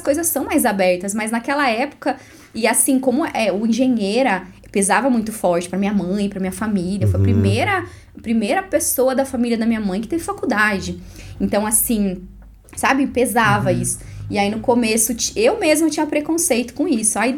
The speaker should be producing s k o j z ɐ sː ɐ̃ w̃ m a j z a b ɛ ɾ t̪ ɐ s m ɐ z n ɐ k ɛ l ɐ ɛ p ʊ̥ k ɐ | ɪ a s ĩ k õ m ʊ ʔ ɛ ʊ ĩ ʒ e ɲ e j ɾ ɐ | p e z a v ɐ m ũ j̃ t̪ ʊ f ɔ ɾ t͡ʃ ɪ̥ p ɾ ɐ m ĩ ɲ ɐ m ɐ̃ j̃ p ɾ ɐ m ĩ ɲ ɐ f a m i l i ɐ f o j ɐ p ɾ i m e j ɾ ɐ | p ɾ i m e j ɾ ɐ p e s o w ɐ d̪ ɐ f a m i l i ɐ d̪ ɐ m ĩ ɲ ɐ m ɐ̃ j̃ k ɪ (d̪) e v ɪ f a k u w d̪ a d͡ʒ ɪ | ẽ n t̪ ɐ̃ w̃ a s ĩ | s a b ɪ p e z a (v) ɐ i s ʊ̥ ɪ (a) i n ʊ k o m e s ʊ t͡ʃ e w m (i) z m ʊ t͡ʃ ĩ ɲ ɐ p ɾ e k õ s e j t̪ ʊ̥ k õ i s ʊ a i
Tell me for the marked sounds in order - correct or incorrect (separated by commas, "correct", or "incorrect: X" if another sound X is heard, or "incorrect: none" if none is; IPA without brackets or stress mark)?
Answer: incorrect: t̪, correct, correct, incorrect: e